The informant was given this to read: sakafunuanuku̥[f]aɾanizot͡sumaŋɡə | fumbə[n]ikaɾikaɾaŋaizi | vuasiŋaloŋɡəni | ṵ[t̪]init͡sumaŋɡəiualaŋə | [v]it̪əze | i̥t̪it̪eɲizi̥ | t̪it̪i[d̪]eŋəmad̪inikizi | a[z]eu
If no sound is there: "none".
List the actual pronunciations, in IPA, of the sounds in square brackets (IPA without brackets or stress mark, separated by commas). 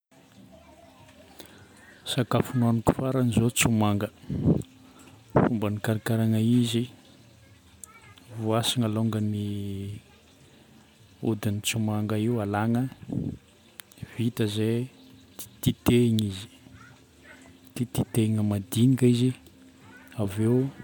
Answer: f, n, d̪, v, t̪, v